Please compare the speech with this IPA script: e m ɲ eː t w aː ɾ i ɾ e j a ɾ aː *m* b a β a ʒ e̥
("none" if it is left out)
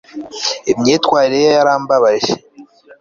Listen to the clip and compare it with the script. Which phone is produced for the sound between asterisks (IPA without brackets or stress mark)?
m